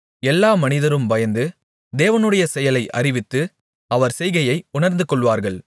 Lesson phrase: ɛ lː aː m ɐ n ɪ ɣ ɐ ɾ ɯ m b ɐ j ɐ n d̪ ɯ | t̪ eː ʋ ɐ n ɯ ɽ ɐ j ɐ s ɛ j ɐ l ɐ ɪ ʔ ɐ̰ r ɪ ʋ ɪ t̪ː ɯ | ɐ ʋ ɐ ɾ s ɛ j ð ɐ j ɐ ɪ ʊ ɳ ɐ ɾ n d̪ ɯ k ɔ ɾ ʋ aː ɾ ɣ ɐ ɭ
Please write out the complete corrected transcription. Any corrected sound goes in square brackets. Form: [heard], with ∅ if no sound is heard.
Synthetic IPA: ɛ lː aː m ɐ n ɪ [ð] ɐ ɾ ɯ m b ɐ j ɐ n d̪ ɯ | [d̪] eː ʋ ɐ n ɯ ɽ ɐ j ɐ s ɛ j ɐ l ɐ ɪ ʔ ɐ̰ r ɪ ʋ ɪ t̪ː ɯ | ɐ ʋ ɐ ɾ s ɛ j [ɣ] ɐ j ɐ ɪ ʊ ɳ ɐ ɾ n d̪ ɯ k ɔ [ɭ] ʋ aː ɾ ɣ ɐ ɭ